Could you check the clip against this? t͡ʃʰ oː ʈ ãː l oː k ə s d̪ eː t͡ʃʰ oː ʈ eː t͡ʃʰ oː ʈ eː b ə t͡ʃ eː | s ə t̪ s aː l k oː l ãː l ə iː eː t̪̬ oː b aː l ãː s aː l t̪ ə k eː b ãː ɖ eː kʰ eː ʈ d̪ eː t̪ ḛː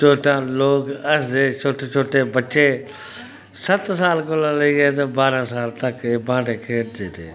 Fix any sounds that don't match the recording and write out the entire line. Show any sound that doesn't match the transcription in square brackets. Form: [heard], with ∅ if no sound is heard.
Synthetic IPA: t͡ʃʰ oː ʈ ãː l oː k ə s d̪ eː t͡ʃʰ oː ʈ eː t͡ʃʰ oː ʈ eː b ə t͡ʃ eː | s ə t̪ s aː l k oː l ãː l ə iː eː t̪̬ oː b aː [ɾ] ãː s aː l t̪ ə k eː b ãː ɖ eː kʰ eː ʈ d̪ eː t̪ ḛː